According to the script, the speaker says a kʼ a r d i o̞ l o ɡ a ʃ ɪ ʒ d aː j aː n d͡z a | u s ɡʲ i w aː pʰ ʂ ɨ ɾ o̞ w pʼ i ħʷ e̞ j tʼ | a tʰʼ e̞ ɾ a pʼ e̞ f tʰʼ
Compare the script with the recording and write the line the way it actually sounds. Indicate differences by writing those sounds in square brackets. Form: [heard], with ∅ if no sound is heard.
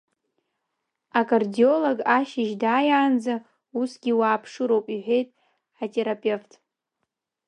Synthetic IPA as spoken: a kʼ a r d i o̞ l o ɡ a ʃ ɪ ʒ d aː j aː n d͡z a | u s ɡʲ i w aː pʰ ʂ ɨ ɾ o̞ w pʼ i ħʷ e̞ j tʼ | a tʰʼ e̞ ɾ a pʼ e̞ f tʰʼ